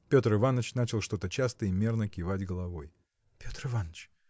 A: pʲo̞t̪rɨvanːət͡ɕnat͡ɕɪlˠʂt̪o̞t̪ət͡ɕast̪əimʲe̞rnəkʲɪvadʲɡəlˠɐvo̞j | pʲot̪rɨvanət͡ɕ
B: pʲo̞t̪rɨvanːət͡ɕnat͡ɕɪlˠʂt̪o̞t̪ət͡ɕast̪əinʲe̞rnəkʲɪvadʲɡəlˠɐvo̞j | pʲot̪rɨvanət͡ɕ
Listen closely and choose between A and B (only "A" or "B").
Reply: A